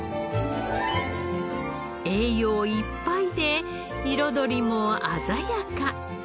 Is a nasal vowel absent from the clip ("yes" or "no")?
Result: yes